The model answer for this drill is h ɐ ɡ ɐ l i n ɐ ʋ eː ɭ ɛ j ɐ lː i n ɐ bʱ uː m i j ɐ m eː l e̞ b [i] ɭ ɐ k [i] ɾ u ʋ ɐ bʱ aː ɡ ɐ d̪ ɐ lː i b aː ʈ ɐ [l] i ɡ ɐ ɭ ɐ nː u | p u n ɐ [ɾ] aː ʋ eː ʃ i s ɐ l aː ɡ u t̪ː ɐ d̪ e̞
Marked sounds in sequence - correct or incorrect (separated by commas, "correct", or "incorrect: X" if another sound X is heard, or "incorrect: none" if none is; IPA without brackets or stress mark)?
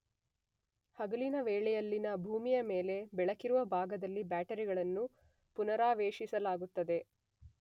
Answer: incorrect: ɛ, correct, incorrect: ɾ, correct